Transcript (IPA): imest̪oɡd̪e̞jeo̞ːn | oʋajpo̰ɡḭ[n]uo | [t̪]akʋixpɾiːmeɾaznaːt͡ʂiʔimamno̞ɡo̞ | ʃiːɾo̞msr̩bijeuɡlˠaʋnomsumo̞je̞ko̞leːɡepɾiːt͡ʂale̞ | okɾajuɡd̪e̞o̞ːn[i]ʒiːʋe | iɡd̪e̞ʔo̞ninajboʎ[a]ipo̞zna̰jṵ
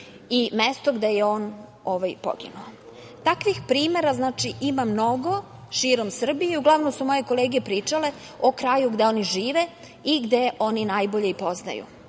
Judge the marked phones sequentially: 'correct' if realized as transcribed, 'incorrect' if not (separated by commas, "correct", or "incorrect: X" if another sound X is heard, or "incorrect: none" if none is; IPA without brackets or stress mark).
correct, correct, correct, incorrect: e